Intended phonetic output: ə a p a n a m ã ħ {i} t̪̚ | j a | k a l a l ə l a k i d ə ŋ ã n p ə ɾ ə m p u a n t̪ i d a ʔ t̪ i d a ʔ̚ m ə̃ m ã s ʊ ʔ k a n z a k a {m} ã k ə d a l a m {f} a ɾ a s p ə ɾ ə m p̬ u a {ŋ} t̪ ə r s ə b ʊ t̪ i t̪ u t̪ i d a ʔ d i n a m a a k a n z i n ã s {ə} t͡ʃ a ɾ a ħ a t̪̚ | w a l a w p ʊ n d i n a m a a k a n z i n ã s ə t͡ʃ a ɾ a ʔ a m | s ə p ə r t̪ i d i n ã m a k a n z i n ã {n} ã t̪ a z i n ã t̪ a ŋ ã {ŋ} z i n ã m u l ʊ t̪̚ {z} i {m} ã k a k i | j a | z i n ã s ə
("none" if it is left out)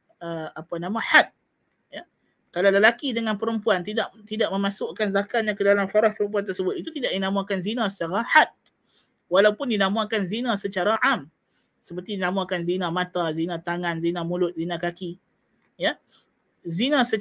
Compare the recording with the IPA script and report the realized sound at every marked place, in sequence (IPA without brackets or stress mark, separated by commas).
a, ɲ, f, n, ə, m, n, z, n